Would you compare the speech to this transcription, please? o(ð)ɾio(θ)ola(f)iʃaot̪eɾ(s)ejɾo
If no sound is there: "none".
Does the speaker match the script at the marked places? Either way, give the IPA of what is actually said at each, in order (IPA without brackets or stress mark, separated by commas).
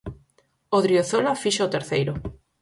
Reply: ð, θ, f, θ